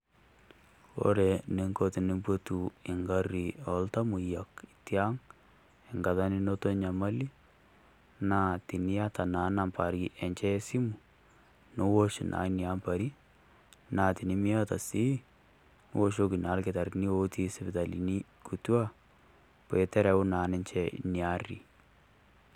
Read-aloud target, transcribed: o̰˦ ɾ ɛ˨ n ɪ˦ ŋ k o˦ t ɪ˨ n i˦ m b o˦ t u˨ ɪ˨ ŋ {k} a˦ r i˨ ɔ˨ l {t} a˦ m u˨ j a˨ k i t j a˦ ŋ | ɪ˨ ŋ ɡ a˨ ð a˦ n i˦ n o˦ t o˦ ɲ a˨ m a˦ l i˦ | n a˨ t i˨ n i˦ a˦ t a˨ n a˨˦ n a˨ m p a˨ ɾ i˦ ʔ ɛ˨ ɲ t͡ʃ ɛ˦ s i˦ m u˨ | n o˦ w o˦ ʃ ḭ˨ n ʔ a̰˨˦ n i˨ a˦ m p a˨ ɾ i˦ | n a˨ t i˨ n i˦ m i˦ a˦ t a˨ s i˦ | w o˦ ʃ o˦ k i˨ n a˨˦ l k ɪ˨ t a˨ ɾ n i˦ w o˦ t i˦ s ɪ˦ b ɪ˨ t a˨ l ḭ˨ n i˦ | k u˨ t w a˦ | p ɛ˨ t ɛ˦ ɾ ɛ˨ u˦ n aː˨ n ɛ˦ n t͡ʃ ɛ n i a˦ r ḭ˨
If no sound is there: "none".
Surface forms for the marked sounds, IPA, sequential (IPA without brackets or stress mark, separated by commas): ɡ, t